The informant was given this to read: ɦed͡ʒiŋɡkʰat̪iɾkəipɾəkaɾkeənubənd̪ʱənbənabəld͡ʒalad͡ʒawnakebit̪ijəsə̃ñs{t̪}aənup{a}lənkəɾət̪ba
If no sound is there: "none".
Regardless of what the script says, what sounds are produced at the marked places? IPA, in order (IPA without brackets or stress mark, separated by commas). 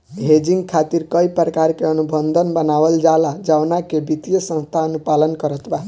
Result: t̪ʰ, a